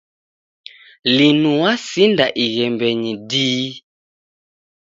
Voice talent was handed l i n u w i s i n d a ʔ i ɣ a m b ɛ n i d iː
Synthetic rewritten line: l i n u w a s i n d a ʔ i ɣ ɛ m b ɛ ɲ i d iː